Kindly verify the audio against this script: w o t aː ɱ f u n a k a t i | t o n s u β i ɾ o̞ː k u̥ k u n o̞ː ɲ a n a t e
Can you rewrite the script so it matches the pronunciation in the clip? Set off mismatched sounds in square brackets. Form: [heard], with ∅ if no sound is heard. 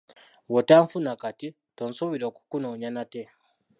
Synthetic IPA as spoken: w o t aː ɱ f u n a k a t i | t o n s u β i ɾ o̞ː k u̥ k u n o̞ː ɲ a n a t e

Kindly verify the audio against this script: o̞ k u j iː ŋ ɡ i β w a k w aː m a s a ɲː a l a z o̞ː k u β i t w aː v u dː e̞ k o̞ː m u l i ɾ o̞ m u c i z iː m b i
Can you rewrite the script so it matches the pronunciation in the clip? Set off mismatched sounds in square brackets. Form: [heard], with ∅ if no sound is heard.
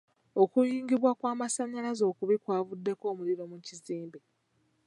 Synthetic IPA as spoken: o̞ k u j iː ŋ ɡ i β w a k w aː m a s a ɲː a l a z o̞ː k u β i [k] w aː v u dː e̞ k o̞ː m u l i ɾ o̞ m u c i z iː m b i

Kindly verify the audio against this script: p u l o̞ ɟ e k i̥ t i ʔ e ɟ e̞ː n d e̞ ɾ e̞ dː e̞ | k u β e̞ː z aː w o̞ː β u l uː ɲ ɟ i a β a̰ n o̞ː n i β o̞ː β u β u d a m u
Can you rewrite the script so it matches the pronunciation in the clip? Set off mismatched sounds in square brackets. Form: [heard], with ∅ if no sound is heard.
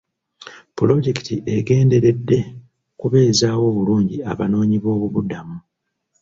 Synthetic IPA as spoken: p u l o̞ ɟ e k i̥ t i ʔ e [ɡ] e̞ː n d e̞ ɾ e̞ dː e̞ | k u β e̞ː z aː w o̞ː β u l uː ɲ ɟ i a β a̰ n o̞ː [ɲ] i β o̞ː β u β u d a m u

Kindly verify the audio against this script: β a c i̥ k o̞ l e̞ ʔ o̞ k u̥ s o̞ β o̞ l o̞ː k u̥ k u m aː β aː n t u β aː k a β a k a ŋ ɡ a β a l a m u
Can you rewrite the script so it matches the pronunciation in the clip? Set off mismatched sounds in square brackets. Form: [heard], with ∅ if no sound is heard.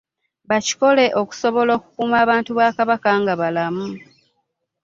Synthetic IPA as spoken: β a c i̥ k o̞ l e̞ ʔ o̞ k u̥ s o̞ β o̞ l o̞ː k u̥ k u m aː β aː n t u β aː k a β a k a ŋ ɡ a β a l a m u

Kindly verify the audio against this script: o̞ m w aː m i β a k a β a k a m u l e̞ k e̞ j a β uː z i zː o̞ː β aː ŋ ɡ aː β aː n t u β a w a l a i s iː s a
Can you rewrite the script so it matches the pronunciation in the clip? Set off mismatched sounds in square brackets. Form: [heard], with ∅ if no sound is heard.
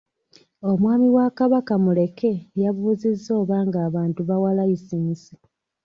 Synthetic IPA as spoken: o̞ m w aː m i [w] a k a β a k a m u l e̞ k e̞ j a β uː z i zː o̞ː β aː ŋ ɡ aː β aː n t u β a w a l a i s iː s [i]

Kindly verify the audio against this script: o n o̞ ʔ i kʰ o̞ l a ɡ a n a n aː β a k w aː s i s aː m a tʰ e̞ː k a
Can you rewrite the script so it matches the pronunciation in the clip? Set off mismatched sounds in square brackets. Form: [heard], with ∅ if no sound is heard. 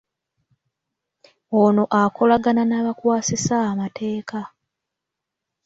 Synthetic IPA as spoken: o n o̞ ʔ [a] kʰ o̞ l a ɡ a n a n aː β a k w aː s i s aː m a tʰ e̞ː k a

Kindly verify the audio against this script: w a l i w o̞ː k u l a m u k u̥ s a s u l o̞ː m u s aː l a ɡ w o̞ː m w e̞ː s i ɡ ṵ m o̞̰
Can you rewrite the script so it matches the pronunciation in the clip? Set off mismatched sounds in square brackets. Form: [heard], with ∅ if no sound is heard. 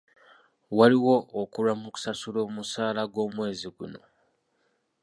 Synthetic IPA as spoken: w a l i w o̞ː k u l a m u k u̥ s a s u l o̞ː m u s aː l a ɡ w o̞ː m w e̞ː [z] i ɡ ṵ [n] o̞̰

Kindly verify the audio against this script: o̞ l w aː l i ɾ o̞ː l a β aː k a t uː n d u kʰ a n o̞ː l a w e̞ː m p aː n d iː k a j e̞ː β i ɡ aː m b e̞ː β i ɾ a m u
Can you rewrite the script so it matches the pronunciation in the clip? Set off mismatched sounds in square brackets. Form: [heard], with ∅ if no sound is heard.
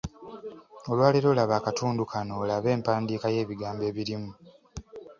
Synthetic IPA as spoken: o̞ l w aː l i ɾ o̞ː l a β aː k a t uː n d u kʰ a n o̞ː l a [β] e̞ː m p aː n d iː k a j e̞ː β i ɡ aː m b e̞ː β i ɾ [i] m u

